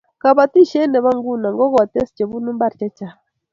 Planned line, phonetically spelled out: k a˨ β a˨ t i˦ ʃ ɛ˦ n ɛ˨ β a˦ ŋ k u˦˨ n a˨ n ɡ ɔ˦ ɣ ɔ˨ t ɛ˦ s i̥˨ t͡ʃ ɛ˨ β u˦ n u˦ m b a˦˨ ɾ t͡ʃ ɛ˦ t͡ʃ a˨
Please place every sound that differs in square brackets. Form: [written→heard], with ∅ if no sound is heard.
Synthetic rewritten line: k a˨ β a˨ t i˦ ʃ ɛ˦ n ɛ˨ β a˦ ŋ [k→ɡ] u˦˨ n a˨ [n→ŋ] ɡ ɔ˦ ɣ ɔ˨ t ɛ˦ s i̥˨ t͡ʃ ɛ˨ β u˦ n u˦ m b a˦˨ ɾ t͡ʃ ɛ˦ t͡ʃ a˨